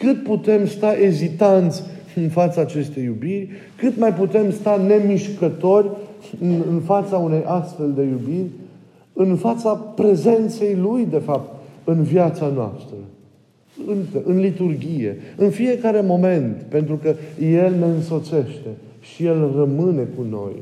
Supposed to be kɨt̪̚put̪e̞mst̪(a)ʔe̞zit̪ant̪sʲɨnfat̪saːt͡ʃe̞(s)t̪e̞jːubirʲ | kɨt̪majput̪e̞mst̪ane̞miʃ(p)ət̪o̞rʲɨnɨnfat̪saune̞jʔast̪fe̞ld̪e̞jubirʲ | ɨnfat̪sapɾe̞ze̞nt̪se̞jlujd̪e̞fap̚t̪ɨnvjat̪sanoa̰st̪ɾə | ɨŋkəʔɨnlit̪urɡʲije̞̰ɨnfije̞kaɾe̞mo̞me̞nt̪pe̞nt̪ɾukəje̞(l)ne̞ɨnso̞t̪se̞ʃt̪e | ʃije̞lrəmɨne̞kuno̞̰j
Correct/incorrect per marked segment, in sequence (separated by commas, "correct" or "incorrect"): correct, correct, incorrect, correct